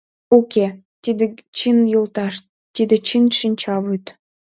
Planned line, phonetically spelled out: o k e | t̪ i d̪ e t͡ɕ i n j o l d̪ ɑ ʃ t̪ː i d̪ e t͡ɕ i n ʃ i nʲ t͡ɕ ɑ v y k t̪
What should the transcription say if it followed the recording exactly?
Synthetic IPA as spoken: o k e | t̪ i d̪ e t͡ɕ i n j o l t̪ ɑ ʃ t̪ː i d̪ e t͡ɕ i n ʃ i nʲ t͡ɕ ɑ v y t̪